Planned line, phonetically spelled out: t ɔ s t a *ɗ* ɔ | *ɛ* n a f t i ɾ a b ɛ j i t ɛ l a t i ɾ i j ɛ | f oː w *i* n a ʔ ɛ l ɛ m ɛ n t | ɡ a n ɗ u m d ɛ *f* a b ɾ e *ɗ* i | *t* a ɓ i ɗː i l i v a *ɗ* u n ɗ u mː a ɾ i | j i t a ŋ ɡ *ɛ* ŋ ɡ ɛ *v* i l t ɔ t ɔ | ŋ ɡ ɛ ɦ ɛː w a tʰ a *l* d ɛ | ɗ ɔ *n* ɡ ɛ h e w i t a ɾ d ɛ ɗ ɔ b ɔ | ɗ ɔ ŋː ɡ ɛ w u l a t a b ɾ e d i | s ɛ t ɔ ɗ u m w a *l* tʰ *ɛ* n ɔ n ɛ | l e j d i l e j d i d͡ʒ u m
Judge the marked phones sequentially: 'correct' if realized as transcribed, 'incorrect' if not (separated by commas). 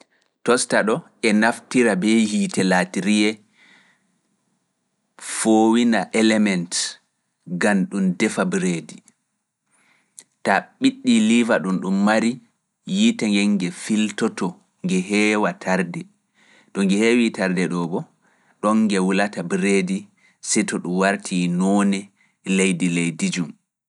correct, correct, correct, correct, incorrect, correct, correct, correct, incorrect, incorrect, incorrect, incorrect, incorrect